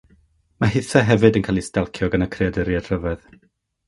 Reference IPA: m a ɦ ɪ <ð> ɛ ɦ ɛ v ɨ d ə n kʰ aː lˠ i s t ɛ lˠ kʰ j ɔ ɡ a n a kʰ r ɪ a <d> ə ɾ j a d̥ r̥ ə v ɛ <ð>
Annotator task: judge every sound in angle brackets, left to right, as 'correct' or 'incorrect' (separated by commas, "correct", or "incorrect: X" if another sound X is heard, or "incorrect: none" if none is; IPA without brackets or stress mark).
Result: incorrect: θ, correct, correct